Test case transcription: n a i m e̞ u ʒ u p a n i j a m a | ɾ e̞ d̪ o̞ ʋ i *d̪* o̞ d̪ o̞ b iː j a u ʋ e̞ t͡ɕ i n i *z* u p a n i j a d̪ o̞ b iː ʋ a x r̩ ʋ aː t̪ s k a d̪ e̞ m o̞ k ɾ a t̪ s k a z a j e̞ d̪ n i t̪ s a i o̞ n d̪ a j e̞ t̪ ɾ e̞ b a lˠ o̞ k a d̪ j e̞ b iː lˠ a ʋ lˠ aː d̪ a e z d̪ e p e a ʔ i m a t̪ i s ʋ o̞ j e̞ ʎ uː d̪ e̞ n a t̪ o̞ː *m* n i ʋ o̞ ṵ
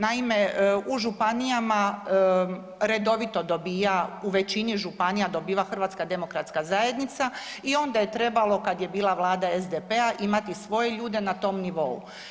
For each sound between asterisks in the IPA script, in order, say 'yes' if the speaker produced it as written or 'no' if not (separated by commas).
no, no, yes